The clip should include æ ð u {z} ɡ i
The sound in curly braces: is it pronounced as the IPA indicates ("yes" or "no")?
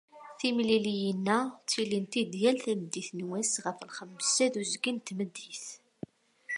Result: yes